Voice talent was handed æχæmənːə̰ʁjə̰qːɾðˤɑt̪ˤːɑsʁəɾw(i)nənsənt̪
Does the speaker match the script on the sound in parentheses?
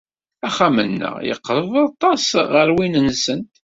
yes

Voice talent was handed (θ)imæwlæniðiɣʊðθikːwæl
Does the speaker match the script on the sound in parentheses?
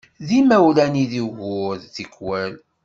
no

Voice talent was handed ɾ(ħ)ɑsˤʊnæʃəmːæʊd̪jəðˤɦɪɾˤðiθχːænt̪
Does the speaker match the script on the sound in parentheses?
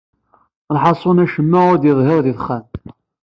yes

